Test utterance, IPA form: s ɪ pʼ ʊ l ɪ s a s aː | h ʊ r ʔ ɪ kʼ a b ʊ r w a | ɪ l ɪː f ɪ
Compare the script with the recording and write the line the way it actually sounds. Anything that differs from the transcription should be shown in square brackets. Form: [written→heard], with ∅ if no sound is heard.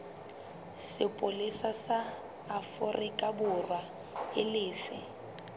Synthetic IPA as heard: s ɪ pʼ ʊ l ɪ s a s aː | [h→f] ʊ r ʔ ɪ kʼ a b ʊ r w a | ɪ l ɪː f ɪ